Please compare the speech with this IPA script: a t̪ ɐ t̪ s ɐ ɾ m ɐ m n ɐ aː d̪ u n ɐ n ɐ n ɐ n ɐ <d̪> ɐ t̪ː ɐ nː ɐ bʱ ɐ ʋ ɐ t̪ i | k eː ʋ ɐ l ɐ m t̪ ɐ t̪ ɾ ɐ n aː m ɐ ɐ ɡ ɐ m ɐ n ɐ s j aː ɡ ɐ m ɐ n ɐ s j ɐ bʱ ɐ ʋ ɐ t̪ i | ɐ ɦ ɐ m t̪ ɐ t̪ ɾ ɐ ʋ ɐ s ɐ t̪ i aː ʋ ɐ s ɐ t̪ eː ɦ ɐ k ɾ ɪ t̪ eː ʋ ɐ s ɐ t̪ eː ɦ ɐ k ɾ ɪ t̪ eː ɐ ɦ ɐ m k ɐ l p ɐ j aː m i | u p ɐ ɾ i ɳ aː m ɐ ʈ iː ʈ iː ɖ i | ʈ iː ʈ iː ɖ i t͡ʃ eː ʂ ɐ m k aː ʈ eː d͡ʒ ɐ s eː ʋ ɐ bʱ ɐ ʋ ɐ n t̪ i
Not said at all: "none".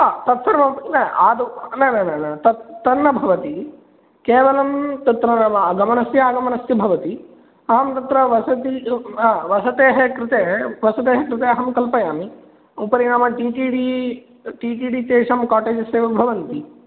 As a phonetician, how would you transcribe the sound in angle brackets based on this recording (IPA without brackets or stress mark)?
t̪